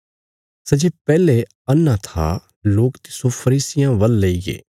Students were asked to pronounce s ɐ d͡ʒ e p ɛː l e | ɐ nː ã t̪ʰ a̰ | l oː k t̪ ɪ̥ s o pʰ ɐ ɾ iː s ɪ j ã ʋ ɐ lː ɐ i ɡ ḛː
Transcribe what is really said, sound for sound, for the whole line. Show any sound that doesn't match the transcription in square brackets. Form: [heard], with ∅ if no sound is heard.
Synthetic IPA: s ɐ d͡ʒ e p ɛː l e | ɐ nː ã t̪ʰ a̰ | l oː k t̪ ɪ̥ s o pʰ ɐ ɾ iː s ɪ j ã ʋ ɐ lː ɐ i ɡ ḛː